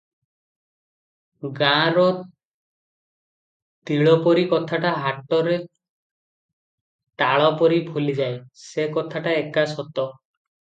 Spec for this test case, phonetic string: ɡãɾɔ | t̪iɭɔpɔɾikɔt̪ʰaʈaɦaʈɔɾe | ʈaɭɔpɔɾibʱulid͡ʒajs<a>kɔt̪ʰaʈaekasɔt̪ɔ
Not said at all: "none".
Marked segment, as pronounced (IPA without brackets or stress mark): e